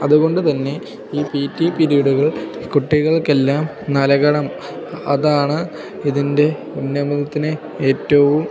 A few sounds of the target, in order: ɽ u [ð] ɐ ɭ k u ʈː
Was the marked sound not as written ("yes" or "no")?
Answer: yes